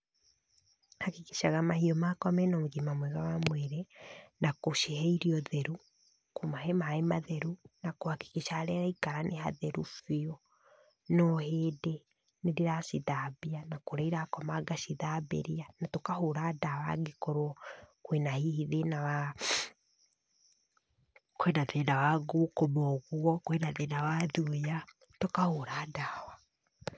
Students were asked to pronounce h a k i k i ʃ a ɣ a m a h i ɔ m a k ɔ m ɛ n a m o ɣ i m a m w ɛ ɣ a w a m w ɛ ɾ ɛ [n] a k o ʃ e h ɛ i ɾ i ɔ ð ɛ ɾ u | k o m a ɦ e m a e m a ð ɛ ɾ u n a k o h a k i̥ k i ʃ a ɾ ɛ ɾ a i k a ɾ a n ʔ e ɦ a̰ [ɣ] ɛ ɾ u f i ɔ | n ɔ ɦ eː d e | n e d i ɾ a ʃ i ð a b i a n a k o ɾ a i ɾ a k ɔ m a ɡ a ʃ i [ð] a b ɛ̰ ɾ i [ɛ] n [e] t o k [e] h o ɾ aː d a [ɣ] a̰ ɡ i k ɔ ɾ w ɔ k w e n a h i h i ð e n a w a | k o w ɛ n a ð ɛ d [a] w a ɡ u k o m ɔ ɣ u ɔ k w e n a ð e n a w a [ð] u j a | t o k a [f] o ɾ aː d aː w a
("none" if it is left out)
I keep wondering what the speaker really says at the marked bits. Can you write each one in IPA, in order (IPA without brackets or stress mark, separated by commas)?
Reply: n, ð, ð, a, a, a, w, a, ð, h